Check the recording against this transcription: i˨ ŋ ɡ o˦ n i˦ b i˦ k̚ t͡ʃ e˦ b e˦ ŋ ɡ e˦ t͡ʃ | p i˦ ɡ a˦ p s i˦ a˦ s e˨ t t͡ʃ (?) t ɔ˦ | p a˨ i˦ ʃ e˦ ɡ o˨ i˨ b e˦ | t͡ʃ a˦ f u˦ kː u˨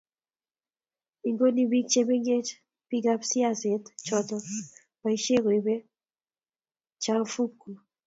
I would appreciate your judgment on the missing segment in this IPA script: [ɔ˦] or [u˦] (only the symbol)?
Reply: ɔ˦